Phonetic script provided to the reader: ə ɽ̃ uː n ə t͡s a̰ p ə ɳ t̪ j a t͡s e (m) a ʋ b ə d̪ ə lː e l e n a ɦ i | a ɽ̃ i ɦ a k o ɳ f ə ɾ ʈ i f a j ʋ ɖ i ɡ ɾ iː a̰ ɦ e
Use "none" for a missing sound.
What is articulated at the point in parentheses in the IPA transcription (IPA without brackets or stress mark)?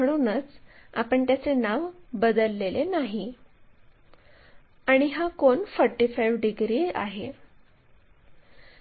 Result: n